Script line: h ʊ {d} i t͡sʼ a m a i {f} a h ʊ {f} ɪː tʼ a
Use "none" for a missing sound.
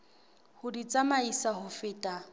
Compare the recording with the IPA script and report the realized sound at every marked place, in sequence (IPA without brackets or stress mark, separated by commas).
d, s, f